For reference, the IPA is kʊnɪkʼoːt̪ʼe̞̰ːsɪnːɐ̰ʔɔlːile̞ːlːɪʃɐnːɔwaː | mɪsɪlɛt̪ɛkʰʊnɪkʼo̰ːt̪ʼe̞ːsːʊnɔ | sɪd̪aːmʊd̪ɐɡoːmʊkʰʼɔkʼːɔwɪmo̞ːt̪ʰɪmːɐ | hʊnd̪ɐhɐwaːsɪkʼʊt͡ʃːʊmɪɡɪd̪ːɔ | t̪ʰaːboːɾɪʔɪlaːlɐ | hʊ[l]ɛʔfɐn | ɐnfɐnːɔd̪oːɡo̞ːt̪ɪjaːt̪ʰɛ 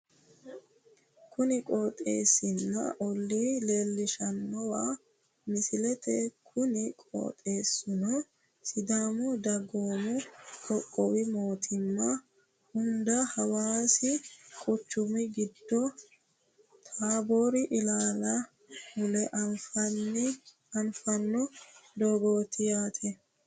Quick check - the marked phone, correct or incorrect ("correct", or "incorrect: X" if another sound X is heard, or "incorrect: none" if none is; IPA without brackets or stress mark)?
correct